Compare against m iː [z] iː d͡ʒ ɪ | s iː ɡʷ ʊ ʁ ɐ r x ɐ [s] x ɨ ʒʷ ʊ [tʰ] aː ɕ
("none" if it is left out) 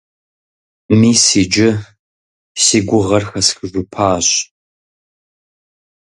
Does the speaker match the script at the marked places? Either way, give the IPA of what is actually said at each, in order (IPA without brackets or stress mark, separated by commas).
s, s, pʰ